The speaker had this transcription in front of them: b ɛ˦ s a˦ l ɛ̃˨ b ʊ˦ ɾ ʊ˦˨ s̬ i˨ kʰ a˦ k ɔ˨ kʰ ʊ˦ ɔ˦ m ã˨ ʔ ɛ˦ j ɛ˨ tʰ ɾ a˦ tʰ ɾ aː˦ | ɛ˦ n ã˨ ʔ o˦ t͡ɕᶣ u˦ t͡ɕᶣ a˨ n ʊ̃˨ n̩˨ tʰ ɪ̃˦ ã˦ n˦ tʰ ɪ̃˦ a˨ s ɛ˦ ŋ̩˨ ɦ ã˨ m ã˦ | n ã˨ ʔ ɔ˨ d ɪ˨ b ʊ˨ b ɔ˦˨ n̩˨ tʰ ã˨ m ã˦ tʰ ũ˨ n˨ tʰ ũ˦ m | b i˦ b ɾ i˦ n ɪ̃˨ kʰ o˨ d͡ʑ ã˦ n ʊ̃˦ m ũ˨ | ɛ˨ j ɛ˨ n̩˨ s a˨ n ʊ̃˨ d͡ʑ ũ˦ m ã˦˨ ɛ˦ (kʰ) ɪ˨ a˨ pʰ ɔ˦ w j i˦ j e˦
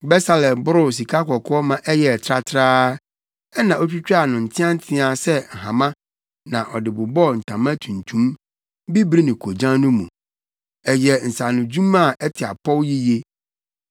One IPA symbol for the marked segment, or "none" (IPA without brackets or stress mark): tʰ